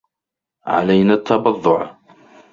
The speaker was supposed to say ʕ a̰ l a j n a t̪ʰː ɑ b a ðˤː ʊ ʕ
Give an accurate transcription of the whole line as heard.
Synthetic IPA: ʕ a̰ l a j n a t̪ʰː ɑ b ɑ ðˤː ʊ ʕ